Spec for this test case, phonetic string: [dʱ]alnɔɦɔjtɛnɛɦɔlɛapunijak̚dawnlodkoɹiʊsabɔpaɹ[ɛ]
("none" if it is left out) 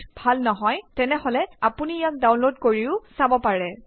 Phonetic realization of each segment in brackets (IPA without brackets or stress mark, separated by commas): bʱ, ɛ